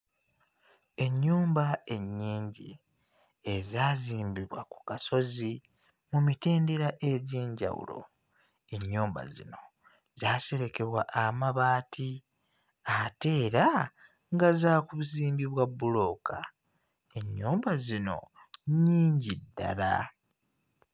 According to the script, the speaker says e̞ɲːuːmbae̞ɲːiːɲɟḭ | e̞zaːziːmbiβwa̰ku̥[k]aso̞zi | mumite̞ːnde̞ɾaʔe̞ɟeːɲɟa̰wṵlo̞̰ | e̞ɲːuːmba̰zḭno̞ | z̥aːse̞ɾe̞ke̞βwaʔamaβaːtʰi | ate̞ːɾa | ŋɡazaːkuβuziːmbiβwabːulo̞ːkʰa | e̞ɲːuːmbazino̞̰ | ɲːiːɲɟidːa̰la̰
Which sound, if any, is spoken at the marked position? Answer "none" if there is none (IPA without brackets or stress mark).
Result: k